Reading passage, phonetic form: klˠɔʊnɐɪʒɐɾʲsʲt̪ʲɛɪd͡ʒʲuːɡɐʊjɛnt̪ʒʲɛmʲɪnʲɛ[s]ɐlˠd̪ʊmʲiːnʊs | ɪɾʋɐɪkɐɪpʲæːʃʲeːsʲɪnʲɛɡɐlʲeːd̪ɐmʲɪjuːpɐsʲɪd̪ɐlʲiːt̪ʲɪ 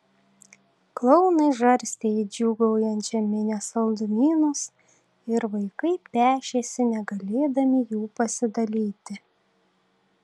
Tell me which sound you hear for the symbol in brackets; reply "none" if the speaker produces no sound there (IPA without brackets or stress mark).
s